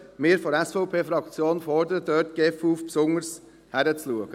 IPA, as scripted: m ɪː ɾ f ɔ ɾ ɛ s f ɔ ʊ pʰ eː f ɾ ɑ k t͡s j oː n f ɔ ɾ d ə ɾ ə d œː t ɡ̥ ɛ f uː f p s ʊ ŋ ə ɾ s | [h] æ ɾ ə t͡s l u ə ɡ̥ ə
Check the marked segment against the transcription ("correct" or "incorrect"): correct